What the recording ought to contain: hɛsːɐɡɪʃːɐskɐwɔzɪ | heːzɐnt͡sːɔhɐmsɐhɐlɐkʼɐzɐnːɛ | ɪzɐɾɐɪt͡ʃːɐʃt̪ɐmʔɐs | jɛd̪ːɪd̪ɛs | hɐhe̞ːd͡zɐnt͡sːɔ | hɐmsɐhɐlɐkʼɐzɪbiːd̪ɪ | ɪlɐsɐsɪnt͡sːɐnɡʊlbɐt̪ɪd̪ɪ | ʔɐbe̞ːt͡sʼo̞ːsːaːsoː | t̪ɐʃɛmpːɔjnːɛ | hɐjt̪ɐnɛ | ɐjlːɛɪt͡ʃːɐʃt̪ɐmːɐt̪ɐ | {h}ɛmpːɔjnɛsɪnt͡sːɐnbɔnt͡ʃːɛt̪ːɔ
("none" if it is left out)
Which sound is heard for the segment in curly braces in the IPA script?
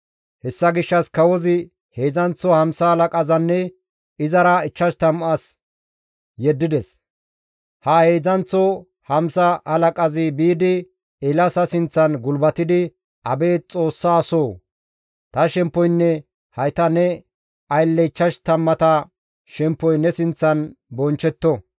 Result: ʃ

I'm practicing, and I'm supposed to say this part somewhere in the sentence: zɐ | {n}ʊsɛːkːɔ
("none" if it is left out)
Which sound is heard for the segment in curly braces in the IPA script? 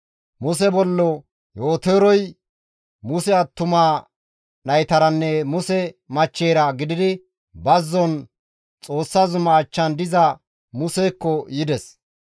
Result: m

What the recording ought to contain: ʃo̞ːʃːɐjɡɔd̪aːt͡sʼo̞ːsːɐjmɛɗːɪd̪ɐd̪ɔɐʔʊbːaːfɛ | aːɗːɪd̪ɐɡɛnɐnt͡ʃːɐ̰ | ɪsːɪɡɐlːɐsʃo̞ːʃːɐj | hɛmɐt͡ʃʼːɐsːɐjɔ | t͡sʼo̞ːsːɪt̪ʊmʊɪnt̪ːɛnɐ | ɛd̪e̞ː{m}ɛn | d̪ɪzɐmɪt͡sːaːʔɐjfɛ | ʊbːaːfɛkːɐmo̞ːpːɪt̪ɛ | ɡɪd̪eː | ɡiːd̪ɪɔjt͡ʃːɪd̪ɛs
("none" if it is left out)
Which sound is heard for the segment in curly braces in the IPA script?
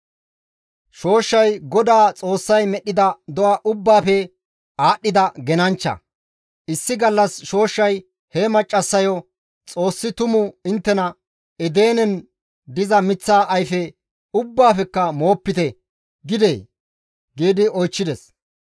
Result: n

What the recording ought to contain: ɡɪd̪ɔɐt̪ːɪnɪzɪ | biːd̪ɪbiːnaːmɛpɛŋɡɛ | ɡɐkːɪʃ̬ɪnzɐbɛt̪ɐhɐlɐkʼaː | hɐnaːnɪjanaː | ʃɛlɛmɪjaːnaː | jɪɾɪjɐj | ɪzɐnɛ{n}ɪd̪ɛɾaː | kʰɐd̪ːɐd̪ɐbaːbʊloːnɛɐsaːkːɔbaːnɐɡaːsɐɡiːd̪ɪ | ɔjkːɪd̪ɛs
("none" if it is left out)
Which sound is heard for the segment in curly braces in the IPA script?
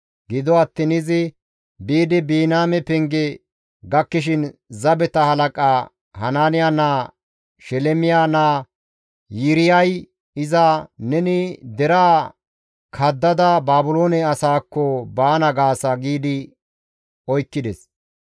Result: n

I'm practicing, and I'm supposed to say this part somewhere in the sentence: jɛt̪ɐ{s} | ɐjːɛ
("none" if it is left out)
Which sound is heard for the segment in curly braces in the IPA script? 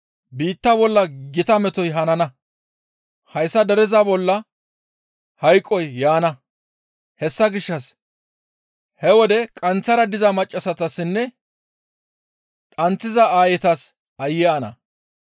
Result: s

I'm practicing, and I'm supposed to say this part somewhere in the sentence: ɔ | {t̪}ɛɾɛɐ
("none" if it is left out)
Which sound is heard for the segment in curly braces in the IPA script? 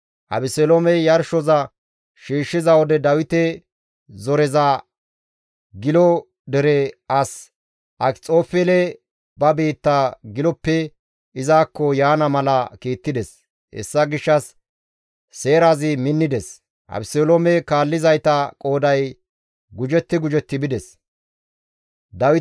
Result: d̪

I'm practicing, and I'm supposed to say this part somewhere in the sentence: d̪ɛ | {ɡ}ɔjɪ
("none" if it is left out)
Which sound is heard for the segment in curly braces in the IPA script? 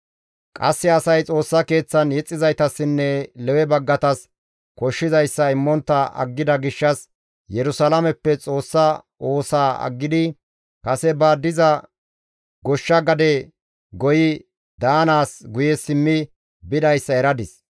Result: ɡ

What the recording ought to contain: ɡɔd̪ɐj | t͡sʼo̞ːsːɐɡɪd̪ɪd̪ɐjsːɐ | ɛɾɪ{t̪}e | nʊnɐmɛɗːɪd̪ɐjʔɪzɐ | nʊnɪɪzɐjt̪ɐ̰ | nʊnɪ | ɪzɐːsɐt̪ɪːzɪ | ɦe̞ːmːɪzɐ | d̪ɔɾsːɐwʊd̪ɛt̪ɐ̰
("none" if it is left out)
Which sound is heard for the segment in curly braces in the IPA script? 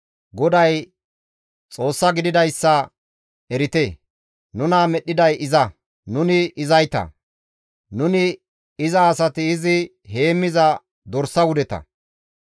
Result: t̪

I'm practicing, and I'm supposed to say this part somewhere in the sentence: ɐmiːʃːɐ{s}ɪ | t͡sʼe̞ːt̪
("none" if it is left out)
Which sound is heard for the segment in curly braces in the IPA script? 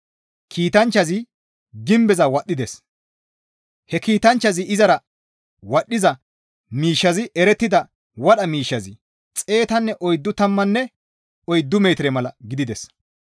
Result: z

